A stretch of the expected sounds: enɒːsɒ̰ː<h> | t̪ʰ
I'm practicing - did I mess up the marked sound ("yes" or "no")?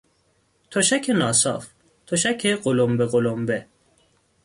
yes